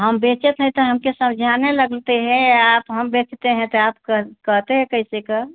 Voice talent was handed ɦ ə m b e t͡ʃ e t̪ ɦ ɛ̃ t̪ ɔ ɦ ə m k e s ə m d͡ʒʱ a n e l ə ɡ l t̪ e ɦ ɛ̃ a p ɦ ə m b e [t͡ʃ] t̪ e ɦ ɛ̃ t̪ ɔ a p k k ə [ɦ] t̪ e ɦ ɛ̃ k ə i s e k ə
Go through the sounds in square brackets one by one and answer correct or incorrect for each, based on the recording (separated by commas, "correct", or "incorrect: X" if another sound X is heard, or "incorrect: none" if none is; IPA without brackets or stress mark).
correct, correct